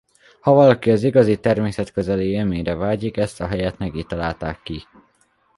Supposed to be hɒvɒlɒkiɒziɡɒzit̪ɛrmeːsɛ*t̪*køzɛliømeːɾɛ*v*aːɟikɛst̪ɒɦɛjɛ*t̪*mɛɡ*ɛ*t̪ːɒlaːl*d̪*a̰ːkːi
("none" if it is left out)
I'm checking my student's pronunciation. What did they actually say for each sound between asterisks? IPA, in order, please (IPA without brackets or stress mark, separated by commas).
t̪, v, t̪, i, t̪